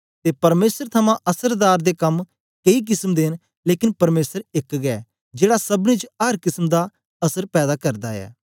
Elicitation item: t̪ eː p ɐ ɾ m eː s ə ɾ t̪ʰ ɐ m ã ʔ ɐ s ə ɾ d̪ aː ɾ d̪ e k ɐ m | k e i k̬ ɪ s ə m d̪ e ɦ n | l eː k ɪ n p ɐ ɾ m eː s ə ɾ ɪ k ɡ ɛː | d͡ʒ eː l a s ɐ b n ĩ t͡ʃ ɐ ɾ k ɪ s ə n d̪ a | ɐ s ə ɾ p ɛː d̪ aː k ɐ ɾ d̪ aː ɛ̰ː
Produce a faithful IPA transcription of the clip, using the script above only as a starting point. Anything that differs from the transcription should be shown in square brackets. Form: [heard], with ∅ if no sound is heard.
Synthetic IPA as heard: t̪ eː p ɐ ɾ m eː s ə ɾ t̪ʰ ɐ m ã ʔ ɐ s ə ɾ d̪ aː ɾ d̪ e k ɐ m | k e i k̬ ɪ s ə m d̪ e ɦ n | l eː k ɪ n p ɐ ɾ m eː s ə ɾ ɪ k ɡ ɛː | d͡ʒ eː [ɽ] a s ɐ b n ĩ t͡ʃ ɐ ɾ k ɪ s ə [m] d̪ a | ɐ s ə ɾ p ɛː d̪ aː k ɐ ɾ d̪ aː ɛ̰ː